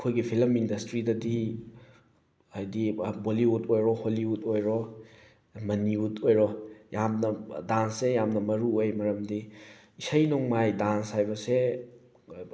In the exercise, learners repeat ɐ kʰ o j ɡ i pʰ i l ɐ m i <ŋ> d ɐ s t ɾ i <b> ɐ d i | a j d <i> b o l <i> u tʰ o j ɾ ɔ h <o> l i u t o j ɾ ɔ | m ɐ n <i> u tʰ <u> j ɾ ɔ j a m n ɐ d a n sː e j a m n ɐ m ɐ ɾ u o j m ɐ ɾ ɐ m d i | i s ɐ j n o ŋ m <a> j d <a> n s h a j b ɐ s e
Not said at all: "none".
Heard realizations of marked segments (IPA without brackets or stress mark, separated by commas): n, d, i, i, o, i, o, a, a